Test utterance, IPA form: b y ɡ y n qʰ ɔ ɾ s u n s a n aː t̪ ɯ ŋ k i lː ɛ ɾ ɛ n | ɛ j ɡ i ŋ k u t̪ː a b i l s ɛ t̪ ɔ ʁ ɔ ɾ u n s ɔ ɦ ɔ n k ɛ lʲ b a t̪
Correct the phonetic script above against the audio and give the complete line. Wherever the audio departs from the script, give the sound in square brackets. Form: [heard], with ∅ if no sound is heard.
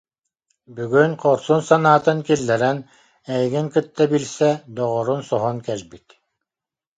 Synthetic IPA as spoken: b y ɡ y n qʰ ɔ ɾ s u n s a n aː t̪ ɯ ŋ k i lː ɛ ɾ ɛ n | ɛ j ɡ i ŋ k [ɯ] t̪ː a b i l s ɛ [d̪] ɔ ʁ ɔ ɾ u n s ɔ ɦ ɔ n k ɛ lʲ b [i] t̪

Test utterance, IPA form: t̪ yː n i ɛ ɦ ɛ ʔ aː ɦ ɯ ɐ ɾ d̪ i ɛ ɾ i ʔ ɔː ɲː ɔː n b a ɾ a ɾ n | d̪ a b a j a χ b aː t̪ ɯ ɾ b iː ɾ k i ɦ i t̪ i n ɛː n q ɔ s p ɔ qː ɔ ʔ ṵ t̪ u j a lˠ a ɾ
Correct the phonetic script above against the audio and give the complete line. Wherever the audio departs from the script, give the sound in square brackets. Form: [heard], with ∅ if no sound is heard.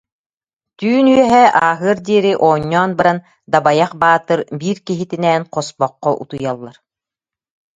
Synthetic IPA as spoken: t̪ yː n [y] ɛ ɦ ɛ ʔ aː ɦ ɯ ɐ ɾ d̪ i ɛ ɾ i ʔ ɔː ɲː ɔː n b a ɾ a [∅] n | d̪ a b a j a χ b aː t̪ ɯ ɾ b iː ɾ k i ɦ i t̪ i n ɛː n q ɔ s p ɔ qː ɔ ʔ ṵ t̪ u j a [lˠː] a ɾ

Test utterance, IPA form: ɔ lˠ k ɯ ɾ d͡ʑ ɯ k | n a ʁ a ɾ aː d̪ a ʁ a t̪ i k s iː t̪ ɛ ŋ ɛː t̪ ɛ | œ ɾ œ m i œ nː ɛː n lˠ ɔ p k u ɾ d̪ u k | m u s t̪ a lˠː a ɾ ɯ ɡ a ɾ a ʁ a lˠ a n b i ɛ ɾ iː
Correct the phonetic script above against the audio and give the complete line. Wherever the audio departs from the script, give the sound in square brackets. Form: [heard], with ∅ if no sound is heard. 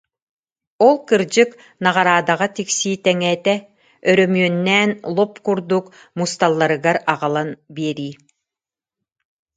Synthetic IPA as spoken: ɔ lˠ k ɯ ɾ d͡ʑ ɯ k | n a ʁ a ɾ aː d̪ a ʁ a t̪ i k s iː t̪ ɛ ŋ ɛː t̪ ɛ | œ ɾ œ m [y] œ nː ɛː n lˠ ɔ p k u ɾ d̪ u k | m u s t̪ a lˠː a ɾ ɯ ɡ a ɾ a ʁ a lˠ a n b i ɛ ɾ iː

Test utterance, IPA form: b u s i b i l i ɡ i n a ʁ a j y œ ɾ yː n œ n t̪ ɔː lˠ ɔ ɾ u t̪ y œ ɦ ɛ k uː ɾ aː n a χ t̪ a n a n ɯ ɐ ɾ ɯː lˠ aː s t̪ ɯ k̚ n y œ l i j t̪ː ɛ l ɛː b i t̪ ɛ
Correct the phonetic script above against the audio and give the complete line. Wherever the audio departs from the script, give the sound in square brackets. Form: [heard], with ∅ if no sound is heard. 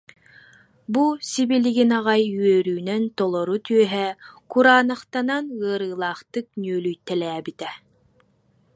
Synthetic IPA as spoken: b u s i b i l i ɡ i n a ʁ a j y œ ɾ yː n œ n t̪ [ɔ] lˠ ɔ ɾ u t̪ y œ ɦ ɛ k [u] ɾ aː n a χ t̪ a n a n ɯ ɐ ɾ ɯː lˠ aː [χ] t̪ ɯ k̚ n y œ l [y] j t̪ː ɛ l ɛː b i t̪ ɛ

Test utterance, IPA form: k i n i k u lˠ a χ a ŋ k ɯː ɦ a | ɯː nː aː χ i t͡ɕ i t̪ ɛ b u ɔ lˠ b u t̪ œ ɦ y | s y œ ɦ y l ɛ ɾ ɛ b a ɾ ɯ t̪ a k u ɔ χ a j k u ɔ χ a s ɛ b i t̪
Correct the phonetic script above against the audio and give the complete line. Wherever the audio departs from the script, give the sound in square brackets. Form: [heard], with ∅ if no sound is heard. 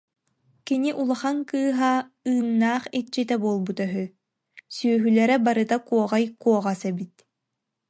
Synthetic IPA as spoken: k i n i [ʔ] u lˠ a χ a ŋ k ɯː ɦ a | ɯː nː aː χ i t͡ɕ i t̪ ɛ b u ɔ lˠ b u t̪ œ ɦ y | s y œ ɦ y l ɛ ɾ ɛ b a ɾ ɯ t̪ a k u ɔ [ʁ] a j k u ɔ [ʁ] a s ɛ b i t̪

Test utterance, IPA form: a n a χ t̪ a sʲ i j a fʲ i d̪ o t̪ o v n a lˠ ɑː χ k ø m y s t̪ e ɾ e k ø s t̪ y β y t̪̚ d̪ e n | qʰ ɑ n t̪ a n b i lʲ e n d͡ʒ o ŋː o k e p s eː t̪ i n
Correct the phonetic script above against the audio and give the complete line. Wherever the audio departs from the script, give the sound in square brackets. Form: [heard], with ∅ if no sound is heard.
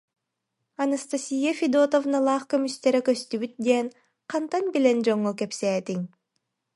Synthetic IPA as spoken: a n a [s] t̪ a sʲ i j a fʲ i d̪ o t̪ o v n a lˠ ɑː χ k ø m y s t̪ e ɾ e k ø s t̪ y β y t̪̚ d̪ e n | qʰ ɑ n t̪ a n b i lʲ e n d͡ʒ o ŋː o k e p s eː t̪ i [ŋ]

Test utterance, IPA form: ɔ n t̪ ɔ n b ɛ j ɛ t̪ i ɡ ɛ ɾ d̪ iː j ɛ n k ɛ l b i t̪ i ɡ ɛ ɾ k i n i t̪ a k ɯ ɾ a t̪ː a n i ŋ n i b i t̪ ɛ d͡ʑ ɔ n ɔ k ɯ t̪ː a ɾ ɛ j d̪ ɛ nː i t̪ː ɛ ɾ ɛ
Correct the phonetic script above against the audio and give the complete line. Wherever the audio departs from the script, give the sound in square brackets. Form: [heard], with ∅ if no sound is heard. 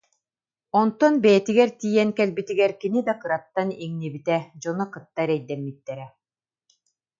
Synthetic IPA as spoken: ɔ n t̪ ɔ n b ɛ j ɛ t̪ i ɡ ɛ ɾ [t̪] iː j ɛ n k ɛ l b i t̪ i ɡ ɛ ɾ k i n i [d̪] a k ɯ ɾ a t̪ː a n i ŋ n i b i t̪ ɛ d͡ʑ ɔ n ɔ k ɯ t̪ː a ɾ ɛ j d̪ ɛ [mː] i t̪ː ɛ ɾ ɛ

